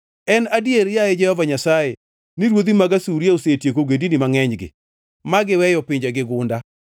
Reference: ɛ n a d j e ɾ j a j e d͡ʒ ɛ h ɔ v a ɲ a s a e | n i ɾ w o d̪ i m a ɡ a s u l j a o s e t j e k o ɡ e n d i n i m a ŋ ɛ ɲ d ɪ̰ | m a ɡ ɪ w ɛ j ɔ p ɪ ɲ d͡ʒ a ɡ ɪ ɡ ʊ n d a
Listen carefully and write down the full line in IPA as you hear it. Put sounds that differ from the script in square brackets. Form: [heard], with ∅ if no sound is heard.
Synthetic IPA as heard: ɛ n a d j e ɾ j a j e d͡ʒ ɛ h ɔ v a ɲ a s a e | n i ɾ w o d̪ i m a ɡ a s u [ɾ] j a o s e t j e k o ɡ e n d i n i m a ŋ ɛ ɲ [ɡ] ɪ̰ | m a ɡ ɪ w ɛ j ɔ p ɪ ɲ d͡ʒ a ɡ ɪ ɡ ʊ n d a